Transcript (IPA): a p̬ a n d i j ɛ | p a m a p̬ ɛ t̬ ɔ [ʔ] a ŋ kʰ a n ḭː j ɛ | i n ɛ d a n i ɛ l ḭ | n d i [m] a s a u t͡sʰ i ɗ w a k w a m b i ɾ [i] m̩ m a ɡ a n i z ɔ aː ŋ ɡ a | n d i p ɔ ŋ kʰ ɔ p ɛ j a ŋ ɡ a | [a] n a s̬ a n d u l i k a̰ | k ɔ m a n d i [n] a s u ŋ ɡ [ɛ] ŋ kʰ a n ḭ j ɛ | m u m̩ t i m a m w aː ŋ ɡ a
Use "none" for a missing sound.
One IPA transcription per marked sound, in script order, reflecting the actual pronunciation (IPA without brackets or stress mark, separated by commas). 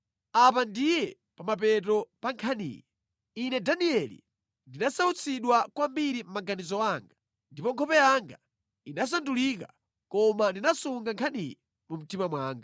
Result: p, n, i, i, n, a